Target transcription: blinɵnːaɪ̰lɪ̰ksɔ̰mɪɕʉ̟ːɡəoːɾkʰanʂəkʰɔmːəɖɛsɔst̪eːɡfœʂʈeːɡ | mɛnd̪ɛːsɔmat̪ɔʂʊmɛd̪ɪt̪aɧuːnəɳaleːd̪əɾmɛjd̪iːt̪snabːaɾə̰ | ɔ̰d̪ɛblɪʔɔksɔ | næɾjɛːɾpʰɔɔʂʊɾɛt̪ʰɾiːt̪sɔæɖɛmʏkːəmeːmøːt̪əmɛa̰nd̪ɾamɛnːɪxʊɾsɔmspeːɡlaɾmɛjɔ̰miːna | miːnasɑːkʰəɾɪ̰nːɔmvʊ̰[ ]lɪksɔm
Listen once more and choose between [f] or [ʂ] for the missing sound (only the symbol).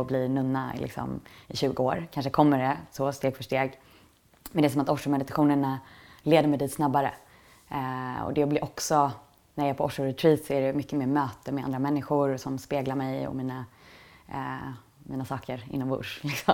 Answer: ʂ